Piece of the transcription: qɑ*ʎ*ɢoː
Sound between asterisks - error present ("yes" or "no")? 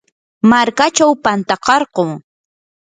yes